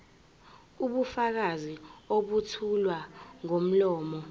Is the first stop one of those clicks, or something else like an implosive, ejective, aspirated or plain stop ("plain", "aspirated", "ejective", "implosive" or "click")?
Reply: implosive